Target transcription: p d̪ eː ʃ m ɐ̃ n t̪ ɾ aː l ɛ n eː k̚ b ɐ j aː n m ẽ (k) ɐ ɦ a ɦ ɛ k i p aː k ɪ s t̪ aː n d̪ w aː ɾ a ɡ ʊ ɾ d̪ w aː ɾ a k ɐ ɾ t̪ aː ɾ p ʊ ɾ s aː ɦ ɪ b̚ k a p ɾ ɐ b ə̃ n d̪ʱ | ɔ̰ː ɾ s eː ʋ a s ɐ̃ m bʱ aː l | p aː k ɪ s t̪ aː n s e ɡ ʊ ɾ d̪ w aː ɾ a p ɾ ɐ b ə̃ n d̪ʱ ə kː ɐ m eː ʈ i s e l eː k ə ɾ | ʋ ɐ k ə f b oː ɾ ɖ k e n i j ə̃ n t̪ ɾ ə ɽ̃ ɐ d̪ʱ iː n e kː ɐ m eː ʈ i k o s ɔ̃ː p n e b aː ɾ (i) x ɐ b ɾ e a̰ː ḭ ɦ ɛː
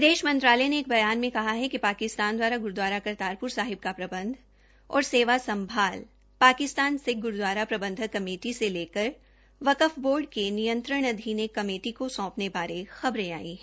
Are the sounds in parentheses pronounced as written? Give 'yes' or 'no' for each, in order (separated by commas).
yes, no